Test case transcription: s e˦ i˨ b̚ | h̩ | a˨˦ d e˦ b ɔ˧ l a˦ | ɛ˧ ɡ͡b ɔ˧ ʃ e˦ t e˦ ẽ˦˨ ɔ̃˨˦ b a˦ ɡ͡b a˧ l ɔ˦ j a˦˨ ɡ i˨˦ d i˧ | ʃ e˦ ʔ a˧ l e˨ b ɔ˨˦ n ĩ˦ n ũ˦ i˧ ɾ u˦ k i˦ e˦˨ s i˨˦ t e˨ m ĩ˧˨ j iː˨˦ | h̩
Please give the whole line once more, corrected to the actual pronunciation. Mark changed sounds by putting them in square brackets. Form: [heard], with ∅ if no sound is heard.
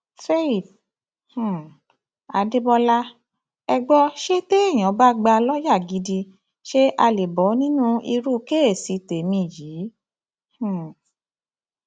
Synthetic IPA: [f] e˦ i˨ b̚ | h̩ | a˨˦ d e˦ b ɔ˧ l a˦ | ɛ˧ ɡ͡b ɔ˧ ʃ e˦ t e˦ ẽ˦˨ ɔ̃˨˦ b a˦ ɡ͡b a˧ l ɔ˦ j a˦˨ ɡ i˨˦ d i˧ | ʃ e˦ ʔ a˧ l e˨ b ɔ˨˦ n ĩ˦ n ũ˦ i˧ ɾ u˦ k [e˦] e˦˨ s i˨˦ t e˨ m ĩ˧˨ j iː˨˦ | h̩